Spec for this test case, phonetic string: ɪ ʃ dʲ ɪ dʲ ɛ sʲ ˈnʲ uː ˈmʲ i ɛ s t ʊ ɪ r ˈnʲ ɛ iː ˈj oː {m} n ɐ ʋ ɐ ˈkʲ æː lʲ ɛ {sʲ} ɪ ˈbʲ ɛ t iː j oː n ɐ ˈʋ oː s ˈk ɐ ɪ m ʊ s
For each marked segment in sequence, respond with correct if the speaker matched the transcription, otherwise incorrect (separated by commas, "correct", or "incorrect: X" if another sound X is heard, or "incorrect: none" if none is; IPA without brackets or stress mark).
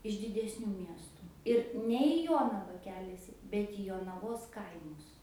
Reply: incorrect: none, correct